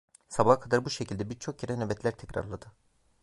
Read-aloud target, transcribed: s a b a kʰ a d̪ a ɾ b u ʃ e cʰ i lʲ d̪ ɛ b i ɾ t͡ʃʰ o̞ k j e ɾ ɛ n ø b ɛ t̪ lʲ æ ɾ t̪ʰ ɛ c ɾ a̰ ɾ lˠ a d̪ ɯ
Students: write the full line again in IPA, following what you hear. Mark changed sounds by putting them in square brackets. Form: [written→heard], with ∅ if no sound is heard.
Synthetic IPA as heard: s a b a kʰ a d̪ a ɾ b u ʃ e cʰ i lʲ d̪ ɛ b i ɾ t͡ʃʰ o̞ k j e ɾ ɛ n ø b ɛ t̪ lʲ æ ɾ t̪ʰ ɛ c ɾ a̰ ɾ lˠ a d̪ ɯ

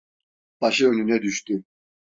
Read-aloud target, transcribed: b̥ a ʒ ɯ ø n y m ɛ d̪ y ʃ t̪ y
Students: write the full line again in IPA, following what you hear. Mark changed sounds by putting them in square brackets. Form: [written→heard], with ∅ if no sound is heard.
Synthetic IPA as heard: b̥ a [ʒ→ʃ] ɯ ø n y [m→n] ɛ d̪ y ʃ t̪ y

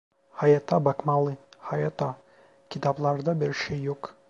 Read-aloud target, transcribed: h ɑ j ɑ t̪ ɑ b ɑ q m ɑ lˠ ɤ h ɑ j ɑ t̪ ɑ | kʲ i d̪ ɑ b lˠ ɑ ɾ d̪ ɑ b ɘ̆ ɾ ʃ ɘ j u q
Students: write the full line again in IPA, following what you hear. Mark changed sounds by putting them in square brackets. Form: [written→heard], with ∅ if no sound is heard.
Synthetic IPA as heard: h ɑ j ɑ t̪ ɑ b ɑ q m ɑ lˠ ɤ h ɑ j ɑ t̪ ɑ | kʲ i [d̪→t̪] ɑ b lˠ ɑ ɾ d̪ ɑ b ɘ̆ ɾ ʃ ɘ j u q

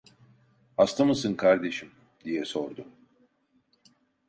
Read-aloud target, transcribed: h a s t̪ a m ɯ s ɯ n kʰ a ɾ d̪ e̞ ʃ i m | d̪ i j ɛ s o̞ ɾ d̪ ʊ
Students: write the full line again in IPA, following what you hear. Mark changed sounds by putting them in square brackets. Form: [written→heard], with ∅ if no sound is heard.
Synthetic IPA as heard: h a s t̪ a m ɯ s ɯ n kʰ a ɾ d̪ e̞ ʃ i m | d̪ i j ɛ s o̞ ɾ d̪ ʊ

